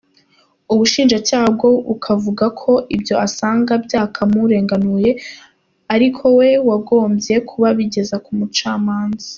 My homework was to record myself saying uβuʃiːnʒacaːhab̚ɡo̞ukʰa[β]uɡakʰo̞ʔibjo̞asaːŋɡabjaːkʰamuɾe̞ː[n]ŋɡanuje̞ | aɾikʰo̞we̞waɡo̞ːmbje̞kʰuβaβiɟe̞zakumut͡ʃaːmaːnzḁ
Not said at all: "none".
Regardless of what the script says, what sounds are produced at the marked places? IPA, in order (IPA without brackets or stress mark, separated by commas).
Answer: v, none